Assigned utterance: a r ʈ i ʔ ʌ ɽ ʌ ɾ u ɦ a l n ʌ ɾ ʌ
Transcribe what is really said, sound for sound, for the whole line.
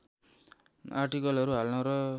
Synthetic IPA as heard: a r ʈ i k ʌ l ʌ ɾ u ɦ a l n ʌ ɾ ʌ